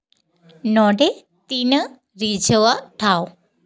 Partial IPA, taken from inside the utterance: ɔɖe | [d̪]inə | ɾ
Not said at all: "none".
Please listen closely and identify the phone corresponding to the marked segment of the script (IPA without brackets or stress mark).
t̪